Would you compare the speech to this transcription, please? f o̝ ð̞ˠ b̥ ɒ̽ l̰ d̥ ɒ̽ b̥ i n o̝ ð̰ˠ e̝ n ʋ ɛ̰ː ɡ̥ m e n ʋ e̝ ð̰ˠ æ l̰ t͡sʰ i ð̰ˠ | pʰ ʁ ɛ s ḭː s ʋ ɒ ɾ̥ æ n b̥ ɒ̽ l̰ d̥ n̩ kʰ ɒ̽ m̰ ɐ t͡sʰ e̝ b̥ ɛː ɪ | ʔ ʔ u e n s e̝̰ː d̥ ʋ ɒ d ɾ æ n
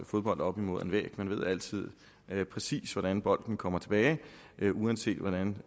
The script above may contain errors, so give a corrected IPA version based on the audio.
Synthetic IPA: f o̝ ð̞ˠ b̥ ɒ̽ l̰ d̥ ɒ̽ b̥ i m o̝ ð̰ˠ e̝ n ʋ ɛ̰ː ɡ̥ m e n ʋ e̝ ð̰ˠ æ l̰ t͡sʰ i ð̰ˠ | pʰ ʁ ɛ s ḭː s ʋ ɒ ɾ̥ æ n b̥ ɒ̽ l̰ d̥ n̩ kʰ ɒ̽ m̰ ɐ t͡sʰ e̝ b̥ ɛː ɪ | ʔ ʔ u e n s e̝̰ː d̥ ʋ ɒ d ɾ æ n

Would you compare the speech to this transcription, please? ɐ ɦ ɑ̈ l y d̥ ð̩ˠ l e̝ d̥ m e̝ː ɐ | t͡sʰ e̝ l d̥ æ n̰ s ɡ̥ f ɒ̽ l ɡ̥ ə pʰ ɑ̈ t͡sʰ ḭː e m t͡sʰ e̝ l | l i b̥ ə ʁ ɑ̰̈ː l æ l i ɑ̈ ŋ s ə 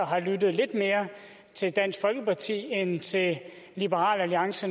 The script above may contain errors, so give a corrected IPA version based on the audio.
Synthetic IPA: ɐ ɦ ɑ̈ l y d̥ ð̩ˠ l e̝ d̥ m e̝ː ɐ | t͡sʰ e̝ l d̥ æ n̰ s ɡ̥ f ɒ̽ l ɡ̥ ə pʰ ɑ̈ t͡sʰ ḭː e n t͡sʰ e̝ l | l i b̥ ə ʁ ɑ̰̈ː l æ l i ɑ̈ ŋ s ə

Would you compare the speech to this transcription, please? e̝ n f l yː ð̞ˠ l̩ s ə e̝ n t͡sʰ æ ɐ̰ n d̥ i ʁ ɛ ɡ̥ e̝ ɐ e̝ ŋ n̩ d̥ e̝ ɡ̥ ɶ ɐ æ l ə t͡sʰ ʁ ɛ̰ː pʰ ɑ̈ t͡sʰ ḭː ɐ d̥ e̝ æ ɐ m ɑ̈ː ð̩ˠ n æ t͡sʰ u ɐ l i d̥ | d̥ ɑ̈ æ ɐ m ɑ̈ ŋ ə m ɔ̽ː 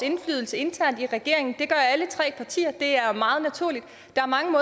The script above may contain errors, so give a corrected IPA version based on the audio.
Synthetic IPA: e̝ n f l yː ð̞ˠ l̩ s ə e̝ n t͡sʰ æ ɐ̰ n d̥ i ʁ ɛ ɡ̥ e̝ ɐ e̝ ŋ n̩ d̥ e̝ ɡ̥ ɶ ɐ æ l ə t͡sʰ ʁ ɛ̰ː pʰ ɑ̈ t͡sʰ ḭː ɐ d̥ e̝ æ ɐ m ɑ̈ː ð̩ˠ n æ t͡sʰ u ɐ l i d̥ | d̥ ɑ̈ æ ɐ m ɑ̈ ŋ ə m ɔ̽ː

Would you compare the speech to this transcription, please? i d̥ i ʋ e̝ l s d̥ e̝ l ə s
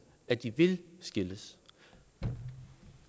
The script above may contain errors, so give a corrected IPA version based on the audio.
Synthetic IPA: æ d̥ i ʋ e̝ l s ɡ̥ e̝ l ə s

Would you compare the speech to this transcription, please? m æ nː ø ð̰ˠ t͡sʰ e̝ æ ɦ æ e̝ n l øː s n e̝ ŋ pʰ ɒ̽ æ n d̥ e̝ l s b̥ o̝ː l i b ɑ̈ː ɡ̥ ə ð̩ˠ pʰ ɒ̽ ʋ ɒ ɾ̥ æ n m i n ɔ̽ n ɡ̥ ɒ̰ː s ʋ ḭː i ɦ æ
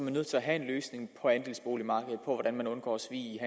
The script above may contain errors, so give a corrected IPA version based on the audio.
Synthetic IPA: m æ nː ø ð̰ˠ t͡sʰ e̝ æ ɦ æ e̝ n l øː s n e̝ ŋ pʰ ɒ̽ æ n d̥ e̝ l s b̥ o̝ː l i m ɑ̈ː ɡ̥ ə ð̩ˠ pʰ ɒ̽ ʋ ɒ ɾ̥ æ n m æ n ɔ̽ n ɡ̥ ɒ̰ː s ʋ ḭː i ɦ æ

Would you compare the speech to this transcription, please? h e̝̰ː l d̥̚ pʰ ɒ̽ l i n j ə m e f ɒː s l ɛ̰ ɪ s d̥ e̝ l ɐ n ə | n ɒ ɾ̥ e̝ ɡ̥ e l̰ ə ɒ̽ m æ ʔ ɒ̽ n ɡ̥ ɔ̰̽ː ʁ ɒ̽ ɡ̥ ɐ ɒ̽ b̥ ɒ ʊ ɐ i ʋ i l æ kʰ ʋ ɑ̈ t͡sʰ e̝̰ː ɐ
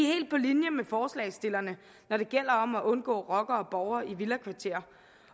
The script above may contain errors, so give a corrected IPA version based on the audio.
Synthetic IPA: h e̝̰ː l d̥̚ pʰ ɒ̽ l i n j ə m e f ɒː s l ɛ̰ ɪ s d̥ e̝ l ɐ n ə | n ɒ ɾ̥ e̝ ɡ̥ e l̰ ɐ ɒ̽ m æ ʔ ɔ̽ n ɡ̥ ɔ̰̽ː ʁ ɒ̽ ɡ̥ ɐ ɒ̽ b̥ ɒ ʊ ɐ i ʋ i l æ kʰ ʋ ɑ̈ t͡sʰ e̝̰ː ɐ

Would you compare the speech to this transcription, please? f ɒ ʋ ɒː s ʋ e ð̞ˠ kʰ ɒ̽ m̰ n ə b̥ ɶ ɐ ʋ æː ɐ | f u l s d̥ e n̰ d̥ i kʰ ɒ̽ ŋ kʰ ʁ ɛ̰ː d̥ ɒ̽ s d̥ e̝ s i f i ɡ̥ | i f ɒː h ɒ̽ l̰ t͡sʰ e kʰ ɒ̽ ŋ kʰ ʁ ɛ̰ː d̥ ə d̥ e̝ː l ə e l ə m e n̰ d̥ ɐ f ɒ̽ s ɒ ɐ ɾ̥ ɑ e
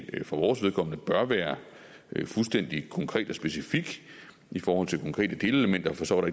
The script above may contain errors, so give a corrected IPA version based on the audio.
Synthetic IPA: f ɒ ʋ ɒː s ʋ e ð̞ˠ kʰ ɒ̽ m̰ n ə b̥ ɶ ɐ ʋ æː ɐ | f u l s d̥ e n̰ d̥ i kʰ ɒ̽ ŋ kʰ ʁ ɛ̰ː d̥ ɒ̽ s b̥ e̝ s i f i ɡ̥ | i f ɒː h ɒ̽ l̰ t͡sʰ e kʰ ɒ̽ ŋ kʰ ʁ ɛ̰ː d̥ ə d̥ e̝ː l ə e l ə m e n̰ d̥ ɐ f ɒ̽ s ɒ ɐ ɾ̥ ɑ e

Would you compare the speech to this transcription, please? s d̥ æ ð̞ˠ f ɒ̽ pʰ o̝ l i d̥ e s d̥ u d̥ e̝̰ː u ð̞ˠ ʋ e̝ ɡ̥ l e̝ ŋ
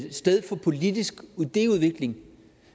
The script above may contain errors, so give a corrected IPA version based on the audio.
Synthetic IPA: s d̥ e ð̞ˠ f ɒ̽ pʰ o̝ l i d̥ i s ɡ̥ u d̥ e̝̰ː u ð̞ˠ ʋ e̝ ɡ̥ l e̝ ŋ

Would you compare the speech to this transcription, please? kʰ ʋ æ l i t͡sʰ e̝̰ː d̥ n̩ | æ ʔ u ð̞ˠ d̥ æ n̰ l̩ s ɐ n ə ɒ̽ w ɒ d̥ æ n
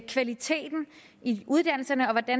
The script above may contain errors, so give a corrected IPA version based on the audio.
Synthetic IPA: kʰ ʋ æ l i t͡sʰ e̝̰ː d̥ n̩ | i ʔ u ð̞ˠ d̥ æ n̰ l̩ s ɐ n ə ɒ̽ ʋ ɒ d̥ æ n

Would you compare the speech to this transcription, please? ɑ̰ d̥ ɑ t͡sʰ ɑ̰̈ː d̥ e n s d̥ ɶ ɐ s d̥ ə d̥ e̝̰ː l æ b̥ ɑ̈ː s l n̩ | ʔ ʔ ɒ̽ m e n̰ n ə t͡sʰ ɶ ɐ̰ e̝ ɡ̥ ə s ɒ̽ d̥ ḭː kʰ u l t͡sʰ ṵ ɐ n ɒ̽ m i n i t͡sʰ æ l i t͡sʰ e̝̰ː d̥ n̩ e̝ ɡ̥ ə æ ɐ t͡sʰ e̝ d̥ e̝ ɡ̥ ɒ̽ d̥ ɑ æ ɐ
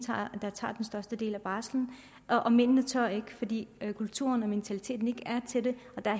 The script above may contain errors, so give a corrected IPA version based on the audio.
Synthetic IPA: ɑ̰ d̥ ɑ t͡sʰ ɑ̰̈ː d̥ e n s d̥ ɶ ɐ s d̥ ə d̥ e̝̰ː l æ b̥ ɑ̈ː s l n̩ | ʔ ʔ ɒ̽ m e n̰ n ə t͡sʰ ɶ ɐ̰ e̝ ɡ̥ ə f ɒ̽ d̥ ḭː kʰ u l t͡sʰ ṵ ɐ n ɒ̽ m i n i t͡sʰ æ l i t͡sʰ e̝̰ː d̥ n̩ e̝ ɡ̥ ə æ ɐ t͡sʰ e̝ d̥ e̝ ɒ̽ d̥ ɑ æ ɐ

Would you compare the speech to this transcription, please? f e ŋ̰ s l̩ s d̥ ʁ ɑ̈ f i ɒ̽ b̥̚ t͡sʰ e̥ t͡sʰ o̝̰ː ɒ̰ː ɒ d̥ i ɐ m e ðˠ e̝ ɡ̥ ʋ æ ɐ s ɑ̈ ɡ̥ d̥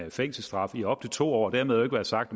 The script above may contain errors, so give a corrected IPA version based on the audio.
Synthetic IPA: f e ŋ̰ s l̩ s d̥ ʁ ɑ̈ f i ɒ̽ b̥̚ t͡sʰ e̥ t͡sʰ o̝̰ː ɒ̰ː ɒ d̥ æ ɐ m e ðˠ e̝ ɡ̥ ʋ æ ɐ s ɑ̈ ɡ̥ d̥

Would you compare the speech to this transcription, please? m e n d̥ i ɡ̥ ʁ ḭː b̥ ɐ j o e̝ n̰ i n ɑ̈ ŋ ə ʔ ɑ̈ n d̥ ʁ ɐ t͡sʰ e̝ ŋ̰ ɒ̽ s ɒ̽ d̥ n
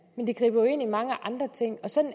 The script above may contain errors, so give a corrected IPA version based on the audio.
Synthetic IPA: m e n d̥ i ɡ̥ ʁ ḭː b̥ ɐ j o e̝ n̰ i m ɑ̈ ŋ ə ʔ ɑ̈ n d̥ ʁ ɐ t͡sʰ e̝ ŋ̰ ɒ̽ s ɒ̽ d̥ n

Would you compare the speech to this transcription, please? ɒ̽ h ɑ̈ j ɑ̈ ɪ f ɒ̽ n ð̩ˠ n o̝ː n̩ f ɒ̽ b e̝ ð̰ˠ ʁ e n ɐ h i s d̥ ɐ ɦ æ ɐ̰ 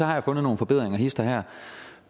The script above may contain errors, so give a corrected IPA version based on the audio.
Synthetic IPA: ɒ̽ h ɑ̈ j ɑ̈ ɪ f ɔ̽ n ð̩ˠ n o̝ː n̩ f ɒ̽ b e̝ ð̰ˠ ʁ e ŋ ɐ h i s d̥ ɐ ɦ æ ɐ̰

